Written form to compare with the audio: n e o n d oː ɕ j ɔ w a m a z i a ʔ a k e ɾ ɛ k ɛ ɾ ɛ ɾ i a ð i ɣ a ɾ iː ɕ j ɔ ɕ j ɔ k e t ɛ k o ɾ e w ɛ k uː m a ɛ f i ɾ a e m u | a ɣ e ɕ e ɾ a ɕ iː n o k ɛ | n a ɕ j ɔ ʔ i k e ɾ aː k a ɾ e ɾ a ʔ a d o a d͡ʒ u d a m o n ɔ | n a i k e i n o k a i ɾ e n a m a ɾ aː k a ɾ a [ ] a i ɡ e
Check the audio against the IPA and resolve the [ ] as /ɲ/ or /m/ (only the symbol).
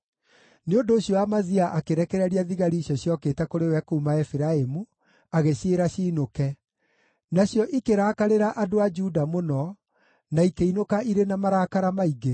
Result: m